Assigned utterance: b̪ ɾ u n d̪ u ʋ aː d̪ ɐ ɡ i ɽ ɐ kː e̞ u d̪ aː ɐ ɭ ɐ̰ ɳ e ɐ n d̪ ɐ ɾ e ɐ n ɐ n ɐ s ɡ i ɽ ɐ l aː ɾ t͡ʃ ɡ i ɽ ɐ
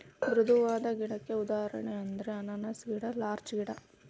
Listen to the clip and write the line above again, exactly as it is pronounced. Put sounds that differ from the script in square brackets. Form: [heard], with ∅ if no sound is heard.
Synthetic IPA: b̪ ɾ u [∅] d̪ u ʋ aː d̪ ɐ ɡ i ɽ ɐ kː e̞ u d̪ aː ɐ [ɾ] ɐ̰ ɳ e ɐ n d̪ ɐ ɾ e ɐ n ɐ n ɐ s ɡ i ɽ ɐ l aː ɾ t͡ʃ ɡ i ɽ ɐ